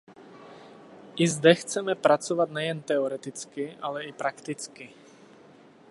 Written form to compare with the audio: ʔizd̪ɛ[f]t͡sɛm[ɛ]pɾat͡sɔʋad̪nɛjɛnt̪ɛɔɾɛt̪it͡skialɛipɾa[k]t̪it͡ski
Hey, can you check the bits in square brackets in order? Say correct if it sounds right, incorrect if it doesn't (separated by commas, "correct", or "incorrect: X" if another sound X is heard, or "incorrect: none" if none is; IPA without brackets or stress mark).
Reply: incorrect: x, correct, correct